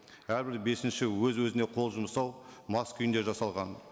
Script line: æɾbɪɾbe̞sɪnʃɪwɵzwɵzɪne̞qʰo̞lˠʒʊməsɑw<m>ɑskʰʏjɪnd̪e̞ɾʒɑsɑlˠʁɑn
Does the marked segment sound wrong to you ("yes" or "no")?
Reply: no